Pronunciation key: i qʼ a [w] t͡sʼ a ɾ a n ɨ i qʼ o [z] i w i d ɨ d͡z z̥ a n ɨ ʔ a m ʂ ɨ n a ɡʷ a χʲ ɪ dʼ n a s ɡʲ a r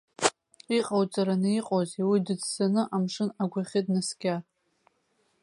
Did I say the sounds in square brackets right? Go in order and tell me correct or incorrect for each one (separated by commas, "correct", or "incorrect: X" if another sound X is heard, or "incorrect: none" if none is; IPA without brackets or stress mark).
correct, correct